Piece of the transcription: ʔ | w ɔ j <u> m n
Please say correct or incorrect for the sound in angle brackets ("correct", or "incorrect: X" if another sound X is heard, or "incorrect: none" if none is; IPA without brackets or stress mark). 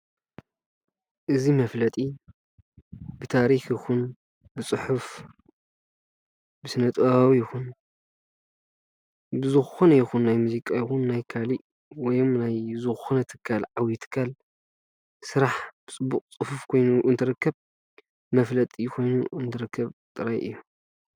incorrect: o